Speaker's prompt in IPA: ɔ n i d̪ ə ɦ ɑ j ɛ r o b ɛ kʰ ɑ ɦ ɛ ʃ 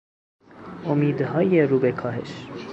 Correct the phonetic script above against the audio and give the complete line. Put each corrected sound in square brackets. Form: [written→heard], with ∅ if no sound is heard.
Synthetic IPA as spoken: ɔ [n→m] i d̪ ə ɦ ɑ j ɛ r [o→u] b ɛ kʰ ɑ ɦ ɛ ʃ